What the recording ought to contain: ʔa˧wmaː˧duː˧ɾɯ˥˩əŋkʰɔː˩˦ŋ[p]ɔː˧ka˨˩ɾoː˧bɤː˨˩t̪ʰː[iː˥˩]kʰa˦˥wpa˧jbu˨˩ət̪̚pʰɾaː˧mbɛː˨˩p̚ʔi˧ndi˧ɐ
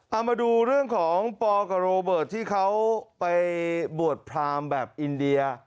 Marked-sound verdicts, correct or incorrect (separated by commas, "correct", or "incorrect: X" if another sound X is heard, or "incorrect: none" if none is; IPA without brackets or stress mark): correct, correct